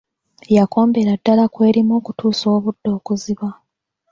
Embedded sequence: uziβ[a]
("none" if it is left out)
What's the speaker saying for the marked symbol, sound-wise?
a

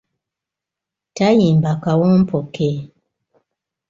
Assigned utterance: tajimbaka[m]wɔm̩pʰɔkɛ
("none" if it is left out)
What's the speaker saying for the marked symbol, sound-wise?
none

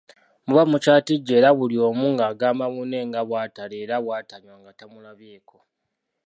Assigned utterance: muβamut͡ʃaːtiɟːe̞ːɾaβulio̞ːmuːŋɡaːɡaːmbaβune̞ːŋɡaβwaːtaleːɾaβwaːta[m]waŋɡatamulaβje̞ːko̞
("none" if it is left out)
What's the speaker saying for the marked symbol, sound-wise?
ɲ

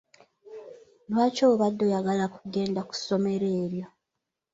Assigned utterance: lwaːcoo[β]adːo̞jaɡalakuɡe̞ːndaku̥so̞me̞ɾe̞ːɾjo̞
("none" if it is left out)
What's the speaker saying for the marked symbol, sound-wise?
β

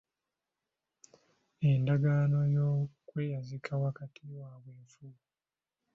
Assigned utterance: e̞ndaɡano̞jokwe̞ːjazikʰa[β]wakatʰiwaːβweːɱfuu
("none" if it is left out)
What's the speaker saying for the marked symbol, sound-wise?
none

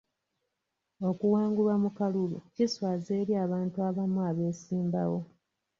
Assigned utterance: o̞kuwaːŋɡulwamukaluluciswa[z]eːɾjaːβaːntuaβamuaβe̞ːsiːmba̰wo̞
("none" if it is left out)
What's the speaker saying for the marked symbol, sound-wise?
z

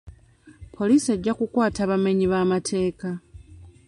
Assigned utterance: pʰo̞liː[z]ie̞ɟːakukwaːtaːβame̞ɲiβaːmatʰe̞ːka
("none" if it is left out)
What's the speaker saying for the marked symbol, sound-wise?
s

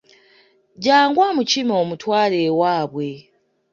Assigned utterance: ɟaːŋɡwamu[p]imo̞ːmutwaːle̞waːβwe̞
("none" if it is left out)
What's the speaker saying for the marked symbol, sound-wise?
c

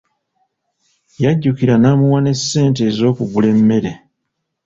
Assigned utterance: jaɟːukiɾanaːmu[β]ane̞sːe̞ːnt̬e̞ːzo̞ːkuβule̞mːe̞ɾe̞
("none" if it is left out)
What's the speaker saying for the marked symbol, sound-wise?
w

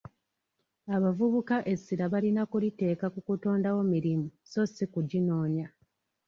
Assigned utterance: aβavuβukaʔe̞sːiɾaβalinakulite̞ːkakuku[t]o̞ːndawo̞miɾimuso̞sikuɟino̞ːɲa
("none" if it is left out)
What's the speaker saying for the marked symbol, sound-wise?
t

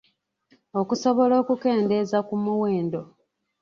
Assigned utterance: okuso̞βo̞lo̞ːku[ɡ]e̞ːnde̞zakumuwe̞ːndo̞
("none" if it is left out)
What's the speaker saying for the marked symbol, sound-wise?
k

